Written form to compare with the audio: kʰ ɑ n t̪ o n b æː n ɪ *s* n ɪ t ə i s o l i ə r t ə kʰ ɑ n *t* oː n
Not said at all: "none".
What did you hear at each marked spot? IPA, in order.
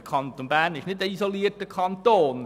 ʃ, t

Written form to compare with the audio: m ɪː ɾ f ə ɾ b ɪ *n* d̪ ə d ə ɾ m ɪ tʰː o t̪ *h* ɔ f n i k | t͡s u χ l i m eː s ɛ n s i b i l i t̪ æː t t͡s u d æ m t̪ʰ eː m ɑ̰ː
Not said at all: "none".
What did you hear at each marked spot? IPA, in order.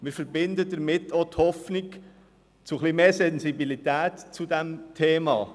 n, h

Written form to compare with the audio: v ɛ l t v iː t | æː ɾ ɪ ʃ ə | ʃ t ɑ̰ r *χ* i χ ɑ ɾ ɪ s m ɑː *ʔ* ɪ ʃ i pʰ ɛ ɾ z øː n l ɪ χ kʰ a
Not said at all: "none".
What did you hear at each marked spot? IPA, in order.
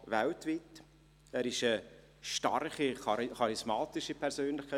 χ, t

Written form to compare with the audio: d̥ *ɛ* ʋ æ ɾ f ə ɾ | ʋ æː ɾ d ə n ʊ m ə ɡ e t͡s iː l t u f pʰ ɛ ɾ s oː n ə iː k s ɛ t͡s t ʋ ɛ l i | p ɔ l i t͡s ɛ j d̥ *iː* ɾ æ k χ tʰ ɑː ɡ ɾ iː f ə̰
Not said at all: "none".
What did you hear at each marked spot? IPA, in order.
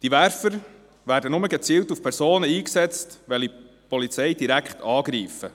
i, i

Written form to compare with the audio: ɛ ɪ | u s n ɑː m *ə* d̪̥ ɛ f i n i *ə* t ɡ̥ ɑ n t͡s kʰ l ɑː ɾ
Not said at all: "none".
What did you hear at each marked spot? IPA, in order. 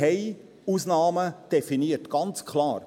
ə, ə

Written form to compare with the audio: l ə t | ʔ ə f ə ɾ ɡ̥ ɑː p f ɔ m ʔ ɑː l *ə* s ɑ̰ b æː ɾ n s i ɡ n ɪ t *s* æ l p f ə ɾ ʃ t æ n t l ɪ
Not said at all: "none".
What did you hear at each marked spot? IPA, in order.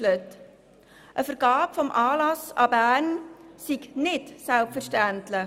ɑ, s

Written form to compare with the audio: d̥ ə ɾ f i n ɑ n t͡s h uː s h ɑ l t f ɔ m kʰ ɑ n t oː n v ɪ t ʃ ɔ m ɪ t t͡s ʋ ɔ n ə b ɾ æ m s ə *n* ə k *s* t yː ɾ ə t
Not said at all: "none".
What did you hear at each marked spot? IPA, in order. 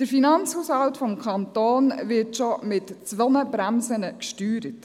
n, ʃ

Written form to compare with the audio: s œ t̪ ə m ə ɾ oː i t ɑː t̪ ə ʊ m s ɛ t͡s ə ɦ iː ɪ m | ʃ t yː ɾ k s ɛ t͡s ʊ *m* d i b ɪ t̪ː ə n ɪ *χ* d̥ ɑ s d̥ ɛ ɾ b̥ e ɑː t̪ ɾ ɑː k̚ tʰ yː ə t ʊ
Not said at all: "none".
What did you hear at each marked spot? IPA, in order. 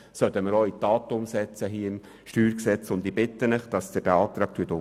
n, χ

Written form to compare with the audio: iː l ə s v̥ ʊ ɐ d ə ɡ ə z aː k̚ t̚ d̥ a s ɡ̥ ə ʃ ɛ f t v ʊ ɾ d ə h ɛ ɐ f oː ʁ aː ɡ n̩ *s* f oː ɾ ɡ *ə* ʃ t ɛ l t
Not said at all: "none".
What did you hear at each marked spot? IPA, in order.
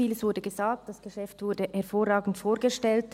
t, ə

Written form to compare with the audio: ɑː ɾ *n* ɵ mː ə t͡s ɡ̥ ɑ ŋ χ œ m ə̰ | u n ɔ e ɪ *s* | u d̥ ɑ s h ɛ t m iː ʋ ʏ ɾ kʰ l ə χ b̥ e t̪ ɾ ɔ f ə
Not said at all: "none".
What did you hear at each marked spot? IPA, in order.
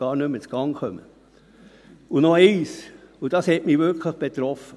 n, s

